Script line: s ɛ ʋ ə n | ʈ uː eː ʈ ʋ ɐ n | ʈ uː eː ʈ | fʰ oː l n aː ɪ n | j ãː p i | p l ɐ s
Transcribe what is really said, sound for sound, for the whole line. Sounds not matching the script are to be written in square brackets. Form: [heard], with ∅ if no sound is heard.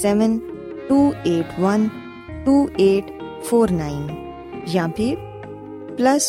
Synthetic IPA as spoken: s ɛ ʋ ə n | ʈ uː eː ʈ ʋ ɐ n | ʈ uː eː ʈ | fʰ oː [ɾ] n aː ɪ n | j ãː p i | p l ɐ s